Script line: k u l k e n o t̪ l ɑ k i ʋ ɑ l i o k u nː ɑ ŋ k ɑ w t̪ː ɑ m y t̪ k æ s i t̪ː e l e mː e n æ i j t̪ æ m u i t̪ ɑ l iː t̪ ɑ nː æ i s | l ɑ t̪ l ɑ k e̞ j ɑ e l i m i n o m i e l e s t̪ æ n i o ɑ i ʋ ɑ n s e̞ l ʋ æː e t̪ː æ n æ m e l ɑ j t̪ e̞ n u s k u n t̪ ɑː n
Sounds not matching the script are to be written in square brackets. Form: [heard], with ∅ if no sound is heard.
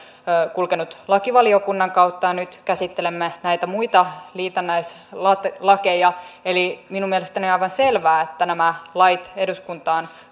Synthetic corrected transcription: k u l k e n [u] t̪ l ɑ k i ʋ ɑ l i o k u nː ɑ ŋ k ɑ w t̪ː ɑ [n] y t̪ k æ s i t̪ː e l e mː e n æ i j t̪ æ m u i t̪ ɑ l iː t̪ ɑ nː æ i s | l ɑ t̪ l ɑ k e̞ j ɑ e l i m i n [u] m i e l e s t̪ æ n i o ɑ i ʋ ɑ n s e̞ l ʋ æː e t̪ː æ n æ m [æ] l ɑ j t̪ e̞ [d] u s k u n t̪ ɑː n